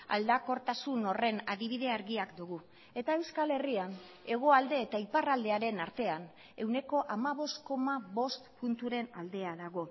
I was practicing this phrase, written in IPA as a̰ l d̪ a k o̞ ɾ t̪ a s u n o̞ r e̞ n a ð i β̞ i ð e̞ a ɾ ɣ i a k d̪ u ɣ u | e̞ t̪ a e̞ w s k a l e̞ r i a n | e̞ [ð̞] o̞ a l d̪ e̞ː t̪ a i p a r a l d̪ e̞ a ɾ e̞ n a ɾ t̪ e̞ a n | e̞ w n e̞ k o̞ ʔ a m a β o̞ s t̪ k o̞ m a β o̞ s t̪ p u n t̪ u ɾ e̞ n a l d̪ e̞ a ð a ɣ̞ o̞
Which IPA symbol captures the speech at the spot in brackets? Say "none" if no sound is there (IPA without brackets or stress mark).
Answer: ɣ̞